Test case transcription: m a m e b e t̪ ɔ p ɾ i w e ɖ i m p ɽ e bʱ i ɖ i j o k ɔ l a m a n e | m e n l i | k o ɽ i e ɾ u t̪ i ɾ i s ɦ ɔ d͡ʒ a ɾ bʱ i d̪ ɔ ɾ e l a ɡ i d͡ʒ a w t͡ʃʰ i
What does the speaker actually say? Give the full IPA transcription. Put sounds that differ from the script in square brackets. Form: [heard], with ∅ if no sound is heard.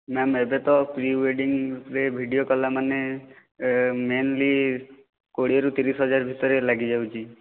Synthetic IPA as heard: m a m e b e t̪ ɔ p ɾ i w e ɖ i [ŋ] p [ɾ] e bʱ i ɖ i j o k ɔ l a m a n e | m e n l i | k o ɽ i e ɾ u t̪ i ɾ i s ɦ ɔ d͡ʒ a ɾ bʱ i [t̪] ɔ ɾ e l a ɡ i d͡ʒ a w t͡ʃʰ i